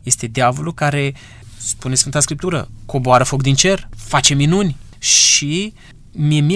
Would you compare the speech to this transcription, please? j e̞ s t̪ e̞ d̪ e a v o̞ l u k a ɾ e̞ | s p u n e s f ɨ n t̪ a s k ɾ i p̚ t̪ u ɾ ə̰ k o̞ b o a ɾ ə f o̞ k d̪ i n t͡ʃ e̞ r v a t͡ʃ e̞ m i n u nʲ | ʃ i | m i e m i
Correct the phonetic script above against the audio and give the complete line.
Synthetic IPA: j e̞ s t̪ e̞ d̪ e a v o̞ l u k a ɾ e̞ | s p u n e s f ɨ n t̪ a s k ɾ i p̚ t̪ u ɾ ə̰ k o̞ b o a ɾ ə f o̞ k d̪ i n t͡ʃ e̞ r f a t͡ʃ e̞ m i n u nʲ | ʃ i | m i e m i